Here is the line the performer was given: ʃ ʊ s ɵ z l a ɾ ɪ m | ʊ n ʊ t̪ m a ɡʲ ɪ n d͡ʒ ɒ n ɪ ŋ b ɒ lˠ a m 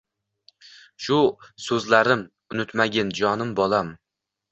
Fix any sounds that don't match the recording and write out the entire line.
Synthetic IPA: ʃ ʊ s ɵ z l a ɾ ɪ m | ʊ n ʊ t̪ m a ɡʲ ɪ n d͡ʒ ɒ n ɪ m b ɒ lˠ a m